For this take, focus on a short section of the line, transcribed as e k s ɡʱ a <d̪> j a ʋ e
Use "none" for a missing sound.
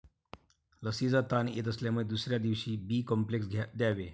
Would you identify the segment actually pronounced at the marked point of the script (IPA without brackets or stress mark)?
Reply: d̪